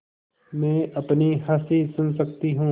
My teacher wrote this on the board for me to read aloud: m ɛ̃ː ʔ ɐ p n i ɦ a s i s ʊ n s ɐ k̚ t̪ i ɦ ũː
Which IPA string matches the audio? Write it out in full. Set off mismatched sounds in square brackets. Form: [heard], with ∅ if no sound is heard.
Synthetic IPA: m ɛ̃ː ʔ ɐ p n i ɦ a s i s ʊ n s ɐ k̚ t̪ i ɦ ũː